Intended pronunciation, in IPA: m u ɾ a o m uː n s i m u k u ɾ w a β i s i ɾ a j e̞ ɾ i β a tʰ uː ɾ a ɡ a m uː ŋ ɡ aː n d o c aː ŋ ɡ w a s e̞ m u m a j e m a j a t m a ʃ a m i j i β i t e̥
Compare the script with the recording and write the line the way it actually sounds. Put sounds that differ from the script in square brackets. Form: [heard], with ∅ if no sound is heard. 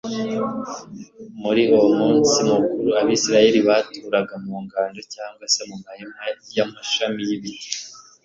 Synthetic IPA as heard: m u ɾ [i] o m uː n s i m u k u ɾ [u] a β i s i ɾ a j e̞ ɾ i β a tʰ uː ɾ a ɡ a m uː ŋ ɡ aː n d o c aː ŋ ɡ w a s e̞ m u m a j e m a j a [∅] m a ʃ a m i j i β i t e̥